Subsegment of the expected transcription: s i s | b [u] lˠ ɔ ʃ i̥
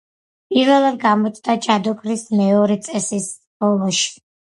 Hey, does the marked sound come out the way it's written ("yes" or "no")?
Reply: no